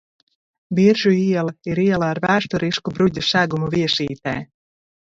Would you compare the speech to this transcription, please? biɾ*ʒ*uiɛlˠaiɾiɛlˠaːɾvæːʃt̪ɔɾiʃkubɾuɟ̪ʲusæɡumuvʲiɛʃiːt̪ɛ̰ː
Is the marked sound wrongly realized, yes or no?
no